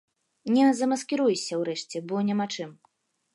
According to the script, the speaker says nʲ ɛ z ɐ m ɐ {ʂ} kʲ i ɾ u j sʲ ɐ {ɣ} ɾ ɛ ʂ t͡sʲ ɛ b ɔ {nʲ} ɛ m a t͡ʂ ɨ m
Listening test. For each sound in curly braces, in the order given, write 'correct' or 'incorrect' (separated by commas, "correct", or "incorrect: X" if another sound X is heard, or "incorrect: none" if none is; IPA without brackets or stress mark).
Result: incorrect: s, incorrect: w, correct